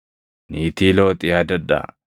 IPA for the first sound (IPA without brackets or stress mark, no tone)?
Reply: n